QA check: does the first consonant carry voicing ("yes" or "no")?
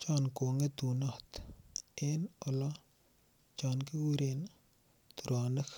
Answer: no